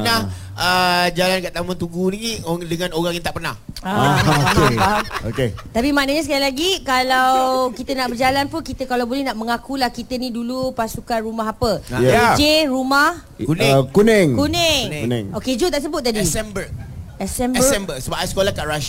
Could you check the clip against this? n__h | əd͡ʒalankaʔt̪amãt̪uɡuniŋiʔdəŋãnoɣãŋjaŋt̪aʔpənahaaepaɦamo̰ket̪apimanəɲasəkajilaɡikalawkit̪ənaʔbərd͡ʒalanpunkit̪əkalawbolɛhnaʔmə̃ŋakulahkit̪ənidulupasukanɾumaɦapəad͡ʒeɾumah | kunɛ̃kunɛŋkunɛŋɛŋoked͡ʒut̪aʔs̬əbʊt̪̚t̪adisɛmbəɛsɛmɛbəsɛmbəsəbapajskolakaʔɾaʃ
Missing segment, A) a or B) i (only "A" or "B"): A